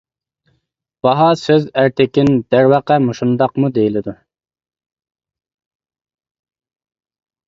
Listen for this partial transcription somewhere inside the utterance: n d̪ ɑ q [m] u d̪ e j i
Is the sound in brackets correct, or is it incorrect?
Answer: correct